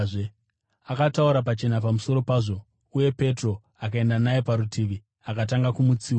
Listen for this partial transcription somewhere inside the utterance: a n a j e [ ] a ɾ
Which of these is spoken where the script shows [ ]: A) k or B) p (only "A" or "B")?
B